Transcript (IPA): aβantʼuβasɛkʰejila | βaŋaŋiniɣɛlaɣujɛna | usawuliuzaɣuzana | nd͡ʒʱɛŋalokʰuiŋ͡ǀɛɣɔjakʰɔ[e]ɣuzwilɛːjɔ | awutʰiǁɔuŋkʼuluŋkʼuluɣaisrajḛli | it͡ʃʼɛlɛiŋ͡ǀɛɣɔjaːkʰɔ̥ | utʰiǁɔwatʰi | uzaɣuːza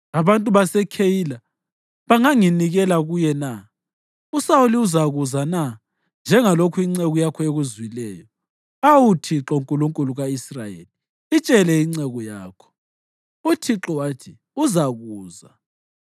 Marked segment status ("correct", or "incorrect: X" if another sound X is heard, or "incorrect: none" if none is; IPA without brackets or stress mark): correct